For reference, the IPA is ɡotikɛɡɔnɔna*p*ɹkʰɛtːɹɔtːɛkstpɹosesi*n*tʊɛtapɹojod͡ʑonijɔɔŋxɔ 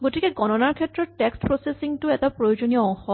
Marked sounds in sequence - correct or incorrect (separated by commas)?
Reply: incorrect, incorrect